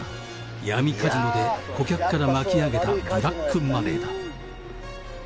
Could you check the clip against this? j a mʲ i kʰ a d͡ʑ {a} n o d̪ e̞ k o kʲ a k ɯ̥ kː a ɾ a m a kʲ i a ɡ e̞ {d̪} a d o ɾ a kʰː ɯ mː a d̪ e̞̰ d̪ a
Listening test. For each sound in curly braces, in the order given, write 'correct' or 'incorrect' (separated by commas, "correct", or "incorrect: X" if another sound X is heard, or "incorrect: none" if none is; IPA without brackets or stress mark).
incorrect: i, incorrect: t̪